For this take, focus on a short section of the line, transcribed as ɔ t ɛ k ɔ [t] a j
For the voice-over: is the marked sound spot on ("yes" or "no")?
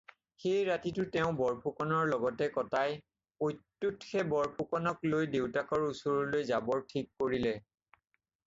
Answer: yes